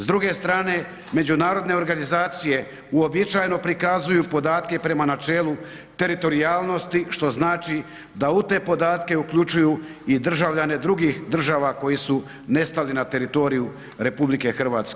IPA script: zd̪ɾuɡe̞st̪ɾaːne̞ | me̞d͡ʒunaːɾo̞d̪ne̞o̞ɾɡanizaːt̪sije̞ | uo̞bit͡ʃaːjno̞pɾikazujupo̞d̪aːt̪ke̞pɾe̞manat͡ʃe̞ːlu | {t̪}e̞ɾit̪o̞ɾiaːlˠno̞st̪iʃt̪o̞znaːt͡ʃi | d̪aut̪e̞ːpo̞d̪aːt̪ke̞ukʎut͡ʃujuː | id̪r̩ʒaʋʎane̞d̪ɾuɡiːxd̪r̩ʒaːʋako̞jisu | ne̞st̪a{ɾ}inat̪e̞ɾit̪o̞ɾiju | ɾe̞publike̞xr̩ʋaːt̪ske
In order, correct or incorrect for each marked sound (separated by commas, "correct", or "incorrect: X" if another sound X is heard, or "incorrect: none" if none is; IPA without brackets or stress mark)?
correct, incorrect: l